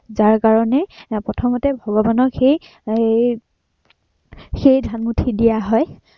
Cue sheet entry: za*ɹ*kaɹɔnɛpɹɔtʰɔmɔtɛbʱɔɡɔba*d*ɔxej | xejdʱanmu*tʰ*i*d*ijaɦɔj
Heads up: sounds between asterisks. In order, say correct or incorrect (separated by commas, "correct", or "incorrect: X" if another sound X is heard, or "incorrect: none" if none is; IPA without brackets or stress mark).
correct, incorrect: n, correct, correct